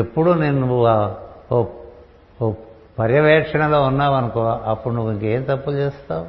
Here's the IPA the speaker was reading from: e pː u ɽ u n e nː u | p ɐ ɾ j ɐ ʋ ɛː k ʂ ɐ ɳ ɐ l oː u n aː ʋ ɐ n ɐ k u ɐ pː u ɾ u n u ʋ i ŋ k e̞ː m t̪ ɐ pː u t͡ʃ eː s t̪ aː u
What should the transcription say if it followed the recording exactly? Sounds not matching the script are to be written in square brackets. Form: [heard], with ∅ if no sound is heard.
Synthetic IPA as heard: e pː u ɽ u n e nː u | p ɐ ɾ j ɐ ʋ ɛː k ʂ ɐ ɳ ɐ l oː u [nː] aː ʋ ɐ n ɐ k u ɐ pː u [ɽ] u n u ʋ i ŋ k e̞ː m t̪ ɐ pː u t͡ʃ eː s t̪ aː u